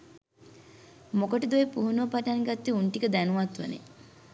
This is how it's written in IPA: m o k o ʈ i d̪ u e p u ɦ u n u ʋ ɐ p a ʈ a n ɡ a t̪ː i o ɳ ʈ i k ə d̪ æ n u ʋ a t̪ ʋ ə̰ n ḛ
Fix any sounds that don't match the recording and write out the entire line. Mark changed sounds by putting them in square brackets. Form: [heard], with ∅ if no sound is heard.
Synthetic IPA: m o k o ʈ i d̪ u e p u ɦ u n u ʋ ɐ p a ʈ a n ɡ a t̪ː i [u] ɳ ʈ i k ə d̪ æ n u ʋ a t̪ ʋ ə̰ n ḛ